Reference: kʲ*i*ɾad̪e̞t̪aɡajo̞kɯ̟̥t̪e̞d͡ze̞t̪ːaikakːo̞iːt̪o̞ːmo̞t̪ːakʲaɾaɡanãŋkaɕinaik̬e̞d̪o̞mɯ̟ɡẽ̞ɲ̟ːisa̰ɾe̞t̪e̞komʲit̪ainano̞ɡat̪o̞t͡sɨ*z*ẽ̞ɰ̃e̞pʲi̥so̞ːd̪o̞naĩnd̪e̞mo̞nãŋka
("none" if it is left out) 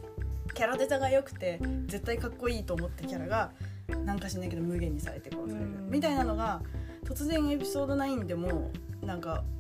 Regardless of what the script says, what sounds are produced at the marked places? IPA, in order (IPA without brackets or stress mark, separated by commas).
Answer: a, z